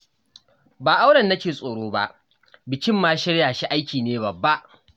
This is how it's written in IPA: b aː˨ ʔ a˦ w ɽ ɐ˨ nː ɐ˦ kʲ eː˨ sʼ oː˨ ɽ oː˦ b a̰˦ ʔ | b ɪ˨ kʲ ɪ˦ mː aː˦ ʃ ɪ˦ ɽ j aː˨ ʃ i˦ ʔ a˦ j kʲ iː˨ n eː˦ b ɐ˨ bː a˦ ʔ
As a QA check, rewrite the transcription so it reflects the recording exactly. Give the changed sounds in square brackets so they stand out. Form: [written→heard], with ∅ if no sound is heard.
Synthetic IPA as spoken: b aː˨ ʔ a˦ w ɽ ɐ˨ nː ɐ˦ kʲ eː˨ sʼ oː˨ ɽ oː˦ b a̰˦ ʔ | b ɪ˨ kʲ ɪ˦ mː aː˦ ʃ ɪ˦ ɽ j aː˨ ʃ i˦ ʔ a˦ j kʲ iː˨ n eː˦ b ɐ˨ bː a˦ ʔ